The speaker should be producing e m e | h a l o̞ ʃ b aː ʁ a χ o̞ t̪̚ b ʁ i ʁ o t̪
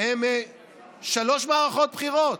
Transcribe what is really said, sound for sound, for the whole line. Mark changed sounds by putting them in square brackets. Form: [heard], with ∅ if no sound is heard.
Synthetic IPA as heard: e m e | [ʃ] a l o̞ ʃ [m] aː ʁ a χ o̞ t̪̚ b [χ] i ʁ o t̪